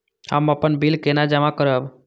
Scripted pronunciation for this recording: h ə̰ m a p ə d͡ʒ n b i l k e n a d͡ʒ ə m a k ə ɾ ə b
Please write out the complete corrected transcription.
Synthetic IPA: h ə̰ m ə p ə n b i l k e n a d͡ʒ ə m a k ə ɾ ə b